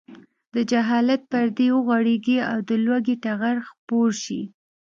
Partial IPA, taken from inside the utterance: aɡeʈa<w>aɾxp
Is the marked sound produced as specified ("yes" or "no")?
no